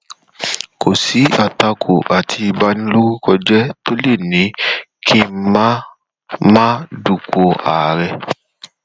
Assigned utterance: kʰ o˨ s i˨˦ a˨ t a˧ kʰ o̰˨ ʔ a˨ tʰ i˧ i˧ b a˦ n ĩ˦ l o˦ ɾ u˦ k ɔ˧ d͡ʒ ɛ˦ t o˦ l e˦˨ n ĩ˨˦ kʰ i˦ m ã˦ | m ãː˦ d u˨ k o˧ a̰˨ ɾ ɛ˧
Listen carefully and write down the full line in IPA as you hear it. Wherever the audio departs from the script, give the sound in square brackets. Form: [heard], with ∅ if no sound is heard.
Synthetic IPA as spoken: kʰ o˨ s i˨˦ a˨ t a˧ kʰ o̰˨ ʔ a˨ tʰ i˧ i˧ b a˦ n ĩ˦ l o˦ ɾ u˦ k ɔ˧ d͡ʒ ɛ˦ t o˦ l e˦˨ n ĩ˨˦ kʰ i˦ m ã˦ | m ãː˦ d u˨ k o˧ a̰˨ ɾ ɛ˧